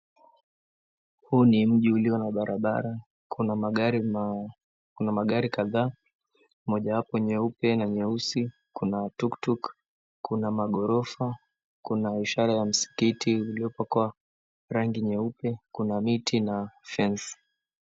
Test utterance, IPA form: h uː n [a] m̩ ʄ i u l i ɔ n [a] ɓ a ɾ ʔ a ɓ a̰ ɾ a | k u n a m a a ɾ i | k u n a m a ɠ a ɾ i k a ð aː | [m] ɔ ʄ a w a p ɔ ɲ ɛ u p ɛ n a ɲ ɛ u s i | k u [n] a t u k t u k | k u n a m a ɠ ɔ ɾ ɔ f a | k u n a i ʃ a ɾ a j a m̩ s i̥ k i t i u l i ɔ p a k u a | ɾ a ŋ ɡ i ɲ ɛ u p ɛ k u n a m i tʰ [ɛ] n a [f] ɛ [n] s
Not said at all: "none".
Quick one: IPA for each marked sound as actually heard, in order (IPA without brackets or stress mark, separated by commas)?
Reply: i, a, m, n, i, f, n